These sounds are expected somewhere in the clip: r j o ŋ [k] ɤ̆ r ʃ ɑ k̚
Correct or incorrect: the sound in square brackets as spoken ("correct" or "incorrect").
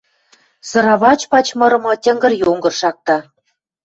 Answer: incorrect